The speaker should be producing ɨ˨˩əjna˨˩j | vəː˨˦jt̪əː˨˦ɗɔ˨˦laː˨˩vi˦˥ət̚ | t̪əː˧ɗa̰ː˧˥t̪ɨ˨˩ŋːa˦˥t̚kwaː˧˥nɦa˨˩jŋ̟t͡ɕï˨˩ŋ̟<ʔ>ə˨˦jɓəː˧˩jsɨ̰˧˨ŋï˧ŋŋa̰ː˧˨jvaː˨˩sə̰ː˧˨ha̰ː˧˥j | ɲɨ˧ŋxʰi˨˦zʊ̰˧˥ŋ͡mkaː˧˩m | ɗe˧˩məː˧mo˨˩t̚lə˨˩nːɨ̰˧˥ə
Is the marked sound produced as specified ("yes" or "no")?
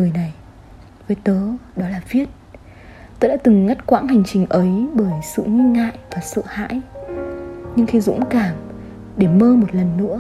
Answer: yes